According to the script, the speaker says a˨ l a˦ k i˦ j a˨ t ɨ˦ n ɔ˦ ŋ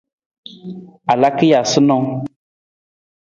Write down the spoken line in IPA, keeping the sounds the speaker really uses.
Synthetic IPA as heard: a˨ l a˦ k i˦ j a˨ s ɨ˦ n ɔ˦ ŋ